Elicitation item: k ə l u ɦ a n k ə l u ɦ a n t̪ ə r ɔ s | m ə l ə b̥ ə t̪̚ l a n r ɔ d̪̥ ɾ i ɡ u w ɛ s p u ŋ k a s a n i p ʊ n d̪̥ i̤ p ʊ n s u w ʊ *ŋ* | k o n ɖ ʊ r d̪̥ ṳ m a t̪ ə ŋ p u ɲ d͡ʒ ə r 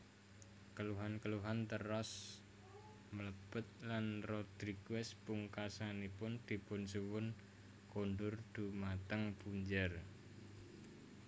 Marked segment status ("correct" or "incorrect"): incorrect